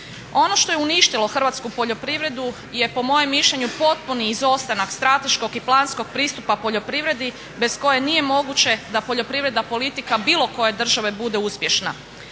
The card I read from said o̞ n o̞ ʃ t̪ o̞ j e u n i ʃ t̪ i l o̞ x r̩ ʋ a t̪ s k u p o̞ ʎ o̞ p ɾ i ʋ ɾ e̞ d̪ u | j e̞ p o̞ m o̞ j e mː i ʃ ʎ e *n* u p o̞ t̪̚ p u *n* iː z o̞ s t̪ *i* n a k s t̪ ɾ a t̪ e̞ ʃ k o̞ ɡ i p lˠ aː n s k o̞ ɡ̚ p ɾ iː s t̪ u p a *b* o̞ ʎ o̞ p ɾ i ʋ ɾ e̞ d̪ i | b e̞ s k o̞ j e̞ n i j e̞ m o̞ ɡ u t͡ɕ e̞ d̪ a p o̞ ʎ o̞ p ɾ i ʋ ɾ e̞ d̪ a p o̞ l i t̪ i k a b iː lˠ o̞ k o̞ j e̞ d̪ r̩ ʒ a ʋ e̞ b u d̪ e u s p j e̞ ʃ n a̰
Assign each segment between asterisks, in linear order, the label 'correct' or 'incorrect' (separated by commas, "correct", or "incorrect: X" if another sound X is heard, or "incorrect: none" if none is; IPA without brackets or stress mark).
incorrect: ɲ, correct, incorrect: a, incorrect: p